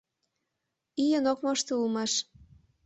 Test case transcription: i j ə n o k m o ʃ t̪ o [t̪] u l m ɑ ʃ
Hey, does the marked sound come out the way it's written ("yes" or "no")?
no